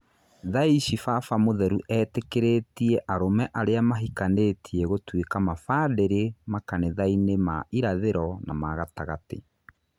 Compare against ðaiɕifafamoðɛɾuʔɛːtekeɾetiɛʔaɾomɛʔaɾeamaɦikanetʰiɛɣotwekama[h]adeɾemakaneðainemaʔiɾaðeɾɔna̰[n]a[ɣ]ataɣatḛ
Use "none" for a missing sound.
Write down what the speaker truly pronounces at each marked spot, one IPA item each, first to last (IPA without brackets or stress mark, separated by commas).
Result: f, m, ɣ